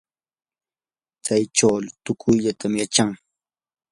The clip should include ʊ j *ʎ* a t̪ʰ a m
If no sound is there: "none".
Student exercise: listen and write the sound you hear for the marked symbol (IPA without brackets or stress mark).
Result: ʎ